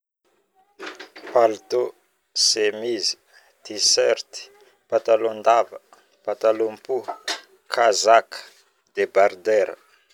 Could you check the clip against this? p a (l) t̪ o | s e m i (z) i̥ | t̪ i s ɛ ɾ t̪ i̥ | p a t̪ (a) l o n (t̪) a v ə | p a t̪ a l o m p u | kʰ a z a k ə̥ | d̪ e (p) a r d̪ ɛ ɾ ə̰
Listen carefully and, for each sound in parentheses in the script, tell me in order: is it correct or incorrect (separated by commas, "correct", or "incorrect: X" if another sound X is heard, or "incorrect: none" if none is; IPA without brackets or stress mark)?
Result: correct, correct, correct, incorrect: d̪, incorrect: b